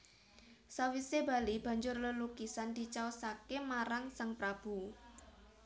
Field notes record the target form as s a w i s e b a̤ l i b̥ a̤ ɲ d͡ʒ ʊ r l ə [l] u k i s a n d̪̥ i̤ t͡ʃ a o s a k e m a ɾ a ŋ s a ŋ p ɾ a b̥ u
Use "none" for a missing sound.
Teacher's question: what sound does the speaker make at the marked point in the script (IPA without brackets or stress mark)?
l